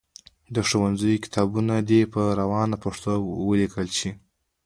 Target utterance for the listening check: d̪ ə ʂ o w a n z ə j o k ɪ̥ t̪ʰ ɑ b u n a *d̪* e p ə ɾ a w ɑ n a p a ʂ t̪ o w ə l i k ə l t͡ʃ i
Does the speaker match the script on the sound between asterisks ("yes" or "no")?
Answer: yes